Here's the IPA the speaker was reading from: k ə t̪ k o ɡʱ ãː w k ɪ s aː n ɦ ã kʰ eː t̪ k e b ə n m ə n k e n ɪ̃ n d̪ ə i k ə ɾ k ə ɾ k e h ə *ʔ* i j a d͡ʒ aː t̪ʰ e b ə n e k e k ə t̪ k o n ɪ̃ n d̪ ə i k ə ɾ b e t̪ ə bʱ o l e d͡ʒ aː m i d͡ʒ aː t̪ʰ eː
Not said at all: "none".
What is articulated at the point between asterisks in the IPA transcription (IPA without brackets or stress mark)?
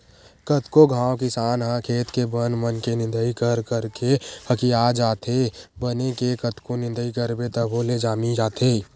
k